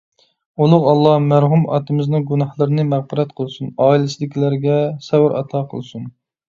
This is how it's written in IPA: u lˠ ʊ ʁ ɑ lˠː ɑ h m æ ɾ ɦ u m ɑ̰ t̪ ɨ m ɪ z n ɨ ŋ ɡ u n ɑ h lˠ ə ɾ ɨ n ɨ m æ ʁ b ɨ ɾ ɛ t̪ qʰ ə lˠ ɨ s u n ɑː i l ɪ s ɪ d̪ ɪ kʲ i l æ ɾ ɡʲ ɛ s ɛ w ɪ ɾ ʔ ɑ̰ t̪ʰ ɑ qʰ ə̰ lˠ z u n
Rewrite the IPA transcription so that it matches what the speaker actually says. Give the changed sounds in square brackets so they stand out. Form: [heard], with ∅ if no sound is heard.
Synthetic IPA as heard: u lˠ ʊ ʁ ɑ lˠː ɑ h m æ ɾ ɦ u m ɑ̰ t̪ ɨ m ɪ z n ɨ ŋ ɡ u n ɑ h lˠ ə ɾ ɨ n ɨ m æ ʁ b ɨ ɾ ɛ t̪ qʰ ə lˠ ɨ s u n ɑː i l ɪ s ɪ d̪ ɪ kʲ i l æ ɾ ɡʲ ɛ s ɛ w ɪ ɾ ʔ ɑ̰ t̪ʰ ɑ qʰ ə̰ lˠ [s] u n